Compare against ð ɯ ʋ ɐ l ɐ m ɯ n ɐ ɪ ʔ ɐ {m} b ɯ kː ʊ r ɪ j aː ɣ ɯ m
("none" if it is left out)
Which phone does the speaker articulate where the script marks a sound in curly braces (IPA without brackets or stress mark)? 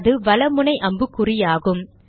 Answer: m